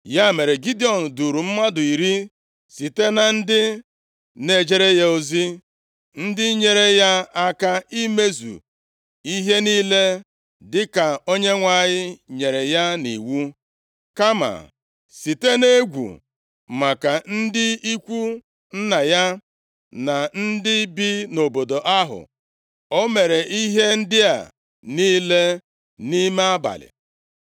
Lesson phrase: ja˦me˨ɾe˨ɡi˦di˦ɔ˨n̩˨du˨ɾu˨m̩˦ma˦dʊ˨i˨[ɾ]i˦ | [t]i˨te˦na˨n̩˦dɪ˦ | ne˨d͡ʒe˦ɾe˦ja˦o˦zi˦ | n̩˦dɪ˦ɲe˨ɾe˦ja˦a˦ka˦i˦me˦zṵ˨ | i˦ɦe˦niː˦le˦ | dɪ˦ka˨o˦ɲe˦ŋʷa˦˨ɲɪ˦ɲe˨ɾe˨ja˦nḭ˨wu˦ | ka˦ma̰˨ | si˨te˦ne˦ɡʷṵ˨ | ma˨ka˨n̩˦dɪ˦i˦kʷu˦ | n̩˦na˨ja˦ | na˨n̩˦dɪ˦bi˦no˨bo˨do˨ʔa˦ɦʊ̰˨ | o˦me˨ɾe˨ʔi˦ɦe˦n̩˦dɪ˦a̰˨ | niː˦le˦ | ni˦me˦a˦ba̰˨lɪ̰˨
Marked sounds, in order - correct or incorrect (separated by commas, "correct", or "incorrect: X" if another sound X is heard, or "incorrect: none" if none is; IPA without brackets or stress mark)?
correct, incorrect: s